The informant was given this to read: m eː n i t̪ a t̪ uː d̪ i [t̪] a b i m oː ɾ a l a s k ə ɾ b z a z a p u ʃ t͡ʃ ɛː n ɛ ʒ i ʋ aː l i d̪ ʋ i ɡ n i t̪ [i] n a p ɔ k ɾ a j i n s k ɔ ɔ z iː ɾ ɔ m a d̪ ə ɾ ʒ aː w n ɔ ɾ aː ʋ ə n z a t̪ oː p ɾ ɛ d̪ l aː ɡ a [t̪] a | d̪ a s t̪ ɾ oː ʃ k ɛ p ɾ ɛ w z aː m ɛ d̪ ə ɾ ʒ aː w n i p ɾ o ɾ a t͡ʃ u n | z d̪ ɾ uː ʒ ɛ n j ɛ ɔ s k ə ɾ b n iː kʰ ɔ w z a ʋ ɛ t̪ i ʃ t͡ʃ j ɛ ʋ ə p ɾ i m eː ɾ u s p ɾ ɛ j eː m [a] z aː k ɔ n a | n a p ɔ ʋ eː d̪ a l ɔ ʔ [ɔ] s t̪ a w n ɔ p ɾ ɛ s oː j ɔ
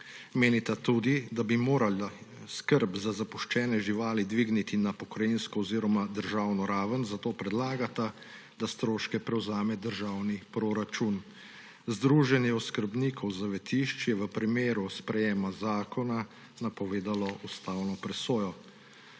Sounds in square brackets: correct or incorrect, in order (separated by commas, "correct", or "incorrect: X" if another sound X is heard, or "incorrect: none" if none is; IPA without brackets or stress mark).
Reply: incorrect: d̪, correct, correct, correct, incorrect: u